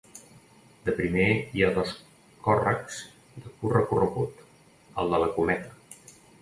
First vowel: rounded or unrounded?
unrounded